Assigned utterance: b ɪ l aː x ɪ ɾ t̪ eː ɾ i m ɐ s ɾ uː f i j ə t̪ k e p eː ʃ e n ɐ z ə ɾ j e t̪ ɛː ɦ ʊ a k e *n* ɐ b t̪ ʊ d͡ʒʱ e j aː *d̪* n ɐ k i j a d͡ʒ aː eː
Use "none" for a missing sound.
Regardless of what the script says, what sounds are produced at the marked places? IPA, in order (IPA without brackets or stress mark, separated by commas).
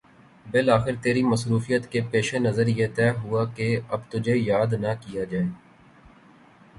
none, d̪